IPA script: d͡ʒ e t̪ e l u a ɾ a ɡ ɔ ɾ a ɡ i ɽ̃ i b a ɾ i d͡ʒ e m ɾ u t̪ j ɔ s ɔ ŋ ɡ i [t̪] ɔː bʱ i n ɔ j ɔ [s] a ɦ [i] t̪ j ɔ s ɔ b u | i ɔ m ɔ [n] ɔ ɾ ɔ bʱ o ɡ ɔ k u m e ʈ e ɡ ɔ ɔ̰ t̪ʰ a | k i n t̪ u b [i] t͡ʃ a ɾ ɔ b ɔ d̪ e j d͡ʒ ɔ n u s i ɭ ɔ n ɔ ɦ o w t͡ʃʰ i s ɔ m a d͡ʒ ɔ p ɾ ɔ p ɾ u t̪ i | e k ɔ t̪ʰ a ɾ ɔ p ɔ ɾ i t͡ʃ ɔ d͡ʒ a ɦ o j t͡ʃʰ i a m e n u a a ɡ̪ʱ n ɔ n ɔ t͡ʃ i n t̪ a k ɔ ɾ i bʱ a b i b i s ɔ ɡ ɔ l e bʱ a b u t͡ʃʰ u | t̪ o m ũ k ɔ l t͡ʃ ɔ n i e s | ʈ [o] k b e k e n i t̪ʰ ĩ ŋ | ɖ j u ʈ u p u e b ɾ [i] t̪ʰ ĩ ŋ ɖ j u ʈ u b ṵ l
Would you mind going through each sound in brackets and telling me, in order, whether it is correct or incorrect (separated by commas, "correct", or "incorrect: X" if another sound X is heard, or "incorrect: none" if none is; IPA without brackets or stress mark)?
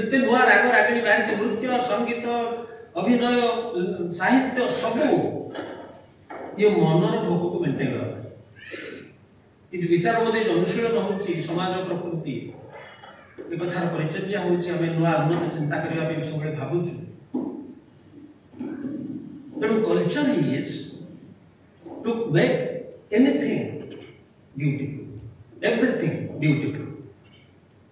correct, correct, correct, correct, correct, incorrect: u, correct